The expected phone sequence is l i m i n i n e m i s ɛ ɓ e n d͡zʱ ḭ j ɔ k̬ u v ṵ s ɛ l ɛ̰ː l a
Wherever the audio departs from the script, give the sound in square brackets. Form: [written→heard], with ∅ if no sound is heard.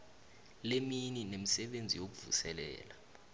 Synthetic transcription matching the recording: l [i→e] m i n i n e m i s ɛ ɓ e n d͡zʱ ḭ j [ɔ→o] k̬ u v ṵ s ɛ l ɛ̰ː l a